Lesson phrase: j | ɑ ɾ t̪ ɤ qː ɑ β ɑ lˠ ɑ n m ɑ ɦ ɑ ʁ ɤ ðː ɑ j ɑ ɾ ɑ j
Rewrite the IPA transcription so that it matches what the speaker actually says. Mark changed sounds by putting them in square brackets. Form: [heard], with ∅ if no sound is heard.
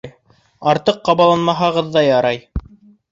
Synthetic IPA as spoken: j | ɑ ɾ t̪ ɤ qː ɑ β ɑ lˠ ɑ n m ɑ ɦ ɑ ʁ ɤ ðː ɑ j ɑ ɾ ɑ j

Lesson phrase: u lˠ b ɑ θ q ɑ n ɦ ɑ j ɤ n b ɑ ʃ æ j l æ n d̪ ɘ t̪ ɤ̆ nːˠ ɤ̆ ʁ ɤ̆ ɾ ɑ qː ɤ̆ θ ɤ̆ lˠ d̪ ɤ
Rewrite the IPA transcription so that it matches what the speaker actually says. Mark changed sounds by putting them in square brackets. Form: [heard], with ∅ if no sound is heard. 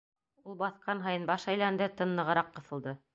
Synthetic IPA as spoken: u lˠ b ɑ θ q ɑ n ɦ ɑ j ɤ n b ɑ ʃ æ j l æ n d̪ ɘ t̪ ɤ̆ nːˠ ɤ̆ ʁ ɤ̆ ɾ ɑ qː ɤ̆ θ ɤ̆ lˠ d̪ ɤ

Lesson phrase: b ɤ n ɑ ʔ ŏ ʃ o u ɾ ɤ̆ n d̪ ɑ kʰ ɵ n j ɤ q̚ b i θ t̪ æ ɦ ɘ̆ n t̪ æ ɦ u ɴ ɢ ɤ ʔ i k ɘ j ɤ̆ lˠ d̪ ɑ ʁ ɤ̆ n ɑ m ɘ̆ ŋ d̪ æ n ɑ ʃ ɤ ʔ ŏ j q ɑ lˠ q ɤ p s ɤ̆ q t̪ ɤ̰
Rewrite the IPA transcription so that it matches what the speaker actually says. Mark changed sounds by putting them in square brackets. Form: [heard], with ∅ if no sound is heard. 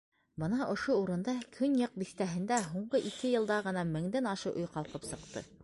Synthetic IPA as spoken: b ɤ n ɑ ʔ ŏ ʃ o u ɾ ɤ̆ n d̪ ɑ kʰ ɵ n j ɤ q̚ b i θ t̪ æ ɦ ɘ̆ n [d̪] æ ɦ u ɴ ɢ ɤ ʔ i k ɘ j ɤ̆ lˠ d̪ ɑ ʁ ɤ̆ n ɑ m ɘ̆ ŋ d̪ æ n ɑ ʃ ɤ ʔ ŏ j q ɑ lˠ q ɤ p s ɤ̆ q t̪ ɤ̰

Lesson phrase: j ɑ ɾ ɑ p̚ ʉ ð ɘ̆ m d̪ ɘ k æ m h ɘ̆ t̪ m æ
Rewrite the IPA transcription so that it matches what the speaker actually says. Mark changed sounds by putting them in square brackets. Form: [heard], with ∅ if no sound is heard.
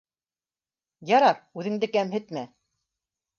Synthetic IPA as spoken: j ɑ ɾ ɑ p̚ ʉ ð ɘ̆ [ŋ] d̪ ɘ k æ m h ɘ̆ t̪ m æ

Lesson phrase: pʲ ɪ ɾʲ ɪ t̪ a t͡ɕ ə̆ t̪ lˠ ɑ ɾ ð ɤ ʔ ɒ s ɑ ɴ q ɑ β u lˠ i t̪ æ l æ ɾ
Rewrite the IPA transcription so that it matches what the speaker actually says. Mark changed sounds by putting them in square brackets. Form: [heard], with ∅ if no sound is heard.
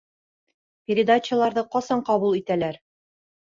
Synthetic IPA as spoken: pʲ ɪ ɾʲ ɪ [d̪] a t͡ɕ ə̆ [∅] lˠ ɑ ɾ ð ɤ [q] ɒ s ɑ ɴ q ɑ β u lˠ i t̪ æ l æ ɾ

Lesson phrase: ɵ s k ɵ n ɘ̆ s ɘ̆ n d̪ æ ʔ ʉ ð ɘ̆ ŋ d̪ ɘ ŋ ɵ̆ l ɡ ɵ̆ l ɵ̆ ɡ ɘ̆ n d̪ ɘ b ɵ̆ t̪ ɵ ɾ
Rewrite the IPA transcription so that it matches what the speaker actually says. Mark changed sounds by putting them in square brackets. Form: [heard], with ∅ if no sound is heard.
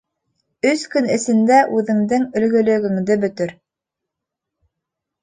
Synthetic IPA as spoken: ɵ s k ɵ n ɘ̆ s ɘ̆ n d̪ æ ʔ ʉ ð ɘ̆ ŋ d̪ ɘ ŋ ɵ̆ l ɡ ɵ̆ l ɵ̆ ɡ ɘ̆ [ŋ] d̪ ɘ b ɵ̆ t̪ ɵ ɾ

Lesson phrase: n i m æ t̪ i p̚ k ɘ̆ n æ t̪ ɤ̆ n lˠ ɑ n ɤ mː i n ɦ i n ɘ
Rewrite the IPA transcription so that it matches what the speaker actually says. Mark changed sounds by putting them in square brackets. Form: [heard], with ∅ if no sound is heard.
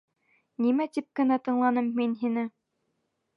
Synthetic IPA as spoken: n i m æ t̪ i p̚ k ɘ̆ n æ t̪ ɤ̆ [ɴ] lˠ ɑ n ɤ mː i n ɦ i n ɘ

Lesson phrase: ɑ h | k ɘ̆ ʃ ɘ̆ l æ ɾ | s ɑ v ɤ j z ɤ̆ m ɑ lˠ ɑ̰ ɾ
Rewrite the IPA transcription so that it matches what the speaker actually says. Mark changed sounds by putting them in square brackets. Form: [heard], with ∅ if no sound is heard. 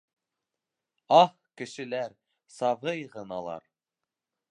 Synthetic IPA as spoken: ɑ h | k ɘ̆ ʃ ɘ̆ l æ ɾ | s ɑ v ɤ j [ʁ] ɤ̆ [n] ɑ lˠ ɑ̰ ɾ

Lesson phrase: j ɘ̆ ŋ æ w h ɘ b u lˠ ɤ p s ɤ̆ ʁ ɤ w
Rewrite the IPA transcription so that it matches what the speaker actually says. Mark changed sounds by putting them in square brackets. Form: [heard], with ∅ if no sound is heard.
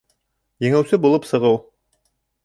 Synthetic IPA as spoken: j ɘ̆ ŋ æ w [s] ɘ b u lˠ ɤ p s ɤ̆ ʁ ɤ w

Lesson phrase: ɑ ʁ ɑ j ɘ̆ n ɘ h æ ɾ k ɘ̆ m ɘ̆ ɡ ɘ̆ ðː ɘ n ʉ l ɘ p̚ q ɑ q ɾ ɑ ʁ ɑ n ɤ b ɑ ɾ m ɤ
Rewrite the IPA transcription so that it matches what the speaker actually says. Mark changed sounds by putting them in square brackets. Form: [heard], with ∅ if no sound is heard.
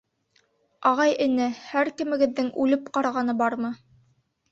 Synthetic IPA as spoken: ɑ ʁ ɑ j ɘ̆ n ɘ h æ ɾ k ɘ̆ m ɘ̆ ɡ ɘ̆ ðː ɘ [ŋ] ʉ l ɘ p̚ q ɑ [∅] ɾ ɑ ʁ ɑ n ɤ b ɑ ɾ m ɤ

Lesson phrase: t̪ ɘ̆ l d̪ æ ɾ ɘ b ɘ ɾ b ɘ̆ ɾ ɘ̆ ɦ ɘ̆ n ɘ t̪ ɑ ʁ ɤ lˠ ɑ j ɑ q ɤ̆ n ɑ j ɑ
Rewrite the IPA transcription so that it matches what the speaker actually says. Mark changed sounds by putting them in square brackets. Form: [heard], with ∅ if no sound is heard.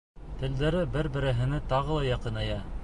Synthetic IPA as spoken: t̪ ɘ̆ l d̪ æ ɾ ɘ b ɘ ɾ b ɘ̆ ɾ ɘ̆ ɦ ɘ̆ n ɘ t̪ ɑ ʁ ɤ lˠ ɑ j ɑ q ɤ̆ n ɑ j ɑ

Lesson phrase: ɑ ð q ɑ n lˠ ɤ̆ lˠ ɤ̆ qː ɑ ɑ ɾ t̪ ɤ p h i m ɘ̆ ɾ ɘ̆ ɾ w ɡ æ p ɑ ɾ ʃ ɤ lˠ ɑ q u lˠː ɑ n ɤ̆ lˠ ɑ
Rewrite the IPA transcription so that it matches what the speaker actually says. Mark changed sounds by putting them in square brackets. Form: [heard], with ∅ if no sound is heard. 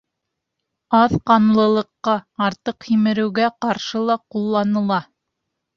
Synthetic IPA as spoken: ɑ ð q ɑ n lˠ ɤ̆ lˠ ɤ̆ qː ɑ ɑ ɾ t̪ ɤ [q] h i m ɘ̆ ɾ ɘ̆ [∅] w ɡ æ [q] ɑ ɾ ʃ ɤ lˠ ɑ q u lˠː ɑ n ɤ̆ lˠ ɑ

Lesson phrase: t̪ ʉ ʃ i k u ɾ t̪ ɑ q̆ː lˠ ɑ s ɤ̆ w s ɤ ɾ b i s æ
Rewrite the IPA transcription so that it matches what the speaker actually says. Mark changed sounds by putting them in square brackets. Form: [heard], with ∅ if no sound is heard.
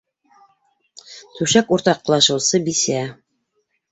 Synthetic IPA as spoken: t̪ ʉ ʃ [æ] k u ɾ t̪ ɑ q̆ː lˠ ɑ [ʃ] ɤ̆ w s ɤ [∅] b i s æ

